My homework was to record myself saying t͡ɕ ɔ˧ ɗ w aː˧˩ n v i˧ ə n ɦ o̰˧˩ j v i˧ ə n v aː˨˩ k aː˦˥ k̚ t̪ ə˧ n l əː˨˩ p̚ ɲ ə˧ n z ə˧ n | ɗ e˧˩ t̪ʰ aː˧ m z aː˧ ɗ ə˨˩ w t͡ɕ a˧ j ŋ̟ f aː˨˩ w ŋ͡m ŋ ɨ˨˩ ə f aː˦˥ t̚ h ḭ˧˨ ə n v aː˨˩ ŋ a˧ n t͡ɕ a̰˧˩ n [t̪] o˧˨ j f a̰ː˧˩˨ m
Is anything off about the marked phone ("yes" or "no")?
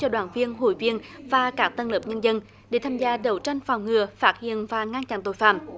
no